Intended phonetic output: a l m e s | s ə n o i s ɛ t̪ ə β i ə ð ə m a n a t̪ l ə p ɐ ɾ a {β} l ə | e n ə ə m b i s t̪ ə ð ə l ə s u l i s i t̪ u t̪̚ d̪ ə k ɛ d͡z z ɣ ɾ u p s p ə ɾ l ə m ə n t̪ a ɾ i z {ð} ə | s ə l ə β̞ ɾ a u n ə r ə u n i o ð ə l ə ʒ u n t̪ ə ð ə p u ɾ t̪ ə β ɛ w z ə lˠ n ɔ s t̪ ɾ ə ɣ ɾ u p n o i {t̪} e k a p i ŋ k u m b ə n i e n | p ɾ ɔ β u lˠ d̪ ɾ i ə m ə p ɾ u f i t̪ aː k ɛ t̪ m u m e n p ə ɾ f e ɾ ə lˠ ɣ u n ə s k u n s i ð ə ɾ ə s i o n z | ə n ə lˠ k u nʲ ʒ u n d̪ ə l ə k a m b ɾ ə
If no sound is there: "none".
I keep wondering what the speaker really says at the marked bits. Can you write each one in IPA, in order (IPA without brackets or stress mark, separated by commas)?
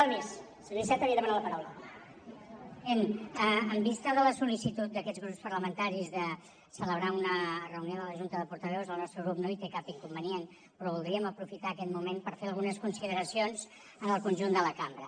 w, ð, t̪